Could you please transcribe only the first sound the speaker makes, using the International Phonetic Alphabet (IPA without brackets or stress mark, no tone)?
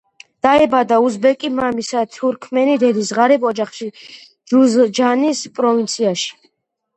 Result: d̪̥